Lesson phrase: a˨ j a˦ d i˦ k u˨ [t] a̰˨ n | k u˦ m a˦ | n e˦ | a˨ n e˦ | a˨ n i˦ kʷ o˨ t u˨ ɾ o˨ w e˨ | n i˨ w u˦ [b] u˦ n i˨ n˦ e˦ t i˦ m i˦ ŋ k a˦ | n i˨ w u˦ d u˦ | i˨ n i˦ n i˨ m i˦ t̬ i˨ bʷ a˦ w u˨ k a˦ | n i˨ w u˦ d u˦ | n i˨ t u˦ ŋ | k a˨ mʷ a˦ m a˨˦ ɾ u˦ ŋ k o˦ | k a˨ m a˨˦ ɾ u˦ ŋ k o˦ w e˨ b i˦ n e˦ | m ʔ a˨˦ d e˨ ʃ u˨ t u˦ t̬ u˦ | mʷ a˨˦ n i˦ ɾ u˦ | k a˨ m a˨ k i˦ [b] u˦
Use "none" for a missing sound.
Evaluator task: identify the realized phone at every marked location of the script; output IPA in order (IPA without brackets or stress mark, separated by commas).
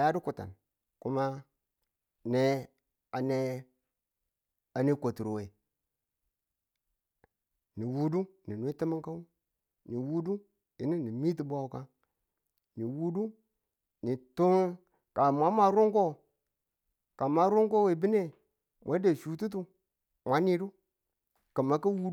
t, d, w